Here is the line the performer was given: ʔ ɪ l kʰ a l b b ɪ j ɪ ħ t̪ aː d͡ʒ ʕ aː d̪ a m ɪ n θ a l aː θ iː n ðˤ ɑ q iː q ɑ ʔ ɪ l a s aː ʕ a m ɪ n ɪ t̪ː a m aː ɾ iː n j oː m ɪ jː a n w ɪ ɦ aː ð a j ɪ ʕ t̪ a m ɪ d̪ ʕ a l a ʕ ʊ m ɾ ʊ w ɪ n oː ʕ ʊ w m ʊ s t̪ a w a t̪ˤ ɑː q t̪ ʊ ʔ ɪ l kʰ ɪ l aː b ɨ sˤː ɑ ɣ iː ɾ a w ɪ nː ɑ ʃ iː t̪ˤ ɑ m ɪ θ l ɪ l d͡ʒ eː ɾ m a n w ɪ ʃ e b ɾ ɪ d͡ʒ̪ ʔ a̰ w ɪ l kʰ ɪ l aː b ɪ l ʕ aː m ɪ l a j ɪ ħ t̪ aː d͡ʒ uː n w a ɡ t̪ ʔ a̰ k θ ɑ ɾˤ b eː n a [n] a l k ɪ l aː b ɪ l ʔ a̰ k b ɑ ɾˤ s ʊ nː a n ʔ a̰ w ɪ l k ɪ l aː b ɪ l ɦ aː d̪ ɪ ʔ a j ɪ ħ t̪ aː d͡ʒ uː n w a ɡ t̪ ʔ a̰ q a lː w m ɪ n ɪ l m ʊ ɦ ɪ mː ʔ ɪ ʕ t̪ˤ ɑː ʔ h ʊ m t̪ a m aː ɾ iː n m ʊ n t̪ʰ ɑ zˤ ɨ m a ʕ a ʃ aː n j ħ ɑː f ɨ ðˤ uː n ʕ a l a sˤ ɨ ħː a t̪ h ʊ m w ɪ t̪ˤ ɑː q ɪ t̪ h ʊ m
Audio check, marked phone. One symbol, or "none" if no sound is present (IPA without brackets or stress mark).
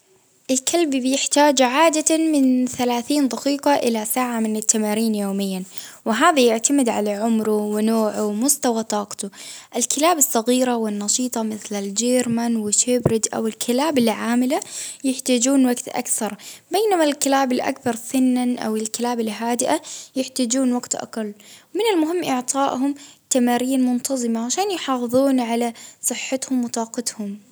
m